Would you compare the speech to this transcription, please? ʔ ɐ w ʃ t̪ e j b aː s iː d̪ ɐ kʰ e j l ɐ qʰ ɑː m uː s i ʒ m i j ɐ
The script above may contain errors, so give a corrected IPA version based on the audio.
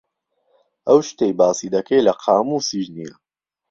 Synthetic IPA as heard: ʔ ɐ w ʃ t̪ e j b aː s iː d̪ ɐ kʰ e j l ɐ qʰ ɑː m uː s i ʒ n i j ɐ